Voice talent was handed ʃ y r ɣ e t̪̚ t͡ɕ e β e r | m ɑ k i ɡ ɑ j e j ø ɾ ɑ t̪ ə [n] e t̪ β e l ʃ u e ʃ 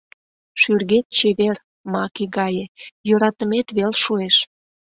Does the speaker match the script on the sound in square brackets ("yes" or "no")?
no